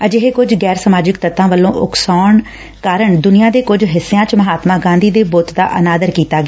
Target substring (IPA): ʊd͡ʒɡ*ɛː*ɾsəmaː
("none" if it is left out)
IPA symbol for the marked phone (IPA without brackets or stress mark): ɛː